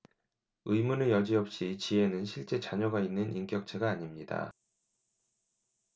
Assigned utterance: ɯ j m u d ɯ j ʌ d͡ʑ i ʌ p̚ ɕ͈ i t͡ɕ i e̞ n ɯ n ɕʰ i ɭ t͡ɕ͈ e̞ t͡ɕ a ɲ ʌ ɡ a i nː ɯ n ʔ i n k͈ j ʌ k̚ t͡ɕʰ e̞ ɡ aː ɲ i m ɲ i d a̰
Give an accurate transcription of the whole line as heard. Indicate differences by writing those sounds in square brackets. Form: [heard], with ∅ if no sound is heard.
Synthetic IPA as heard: ɯ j m u [n] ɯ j ʌ d͡ʑ i ʌ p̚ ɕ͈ i t͡ɕ i e̞ n ɯ n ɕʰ i ɭ t͡ɕ͈ e̞ t͡ɕ a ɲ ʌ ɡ a i nː ɯ n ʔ i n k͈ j ʌ k̚ t͡ɕʰ e̞ ɡ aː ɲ i m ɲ i d a̰